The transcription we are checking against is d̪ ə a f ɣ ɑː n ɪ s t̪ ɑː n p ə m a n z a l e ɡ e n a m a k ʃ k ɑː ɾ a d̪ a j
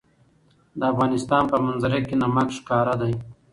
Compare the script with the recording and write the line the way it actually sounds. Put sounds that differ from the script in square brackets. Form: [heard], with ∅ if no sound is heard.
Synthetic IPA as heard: d̪ ə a f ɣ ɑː n ɪ s t̪ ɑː n p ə m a n z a [ɾ] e [k] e n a m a k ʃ k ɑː ɾ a d̪ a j